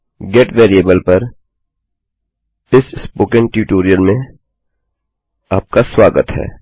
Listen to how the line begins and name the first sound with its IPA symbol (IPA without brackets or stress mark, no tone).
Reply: ɡ